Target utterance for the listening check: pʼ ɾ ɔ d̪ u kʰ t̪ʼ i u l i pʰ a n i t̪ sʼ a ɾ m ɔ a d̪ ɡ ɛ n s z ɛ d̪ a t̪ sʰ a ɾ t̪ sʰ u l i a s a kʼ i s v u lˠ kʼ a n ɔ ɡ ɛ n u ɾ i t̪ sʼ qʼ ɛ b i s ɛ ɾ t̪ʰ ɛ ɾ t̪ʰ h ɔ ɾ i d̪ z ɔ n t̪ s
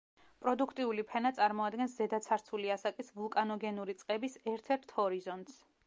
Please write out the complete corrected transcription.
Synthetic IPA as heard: pʼ ɾ ɔ d̪ u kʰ t̪ʼ i u l i pʰ ɛ n a t̪ sʼ a ɾ m ɔ a d̪ ɡ ɛ n s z ɛ d̪ a t̪ sʰ a ɾ t̪ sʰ u l i a s a kʼ i s v u lˠ kʼ a n ɔ ɡ ɛ n u ɾ i t̪ sʼ qʼ ɛ b i s ɛ ɾ t̪ʰ ɛ ɾ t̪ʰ h ɔ ɾ i z ɔ n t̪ s